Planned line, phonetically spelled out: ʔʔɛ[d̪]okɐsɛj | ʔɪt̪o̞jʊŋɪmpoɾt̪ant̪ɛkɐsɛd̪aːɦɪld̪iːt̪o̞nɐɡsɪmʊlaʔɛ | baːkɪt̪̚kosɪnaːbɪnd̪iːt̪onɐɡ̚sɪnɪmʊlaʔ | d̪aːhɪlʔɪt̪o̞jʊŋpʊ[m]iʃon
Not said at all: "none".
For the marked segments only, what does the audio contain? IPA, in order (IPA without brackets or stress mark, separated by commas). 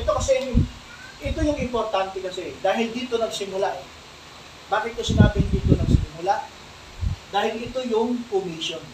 t̪, m